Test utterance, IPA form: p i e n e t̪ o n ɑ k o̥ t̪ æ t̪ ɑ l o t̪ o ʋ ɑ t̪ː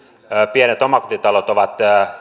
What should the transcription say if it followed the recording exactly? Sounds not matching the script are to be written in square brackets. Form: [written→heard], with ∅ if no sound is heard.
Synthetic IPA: p i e n e t̪ o [n→m] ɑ k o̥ t̪ [æ→i] t̪ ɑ l o t̪ o ʋ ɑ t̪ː